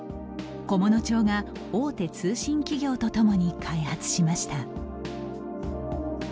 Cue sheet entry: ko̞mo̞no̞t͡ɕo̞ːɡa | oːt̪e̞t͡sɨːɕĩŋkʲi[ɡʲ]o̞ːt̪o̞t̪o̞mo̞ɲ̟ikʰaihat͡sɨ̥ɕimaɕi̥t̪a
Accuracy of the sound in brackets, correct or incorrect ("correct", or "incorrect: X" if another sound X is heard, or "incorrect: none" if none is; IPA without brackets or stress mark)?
correct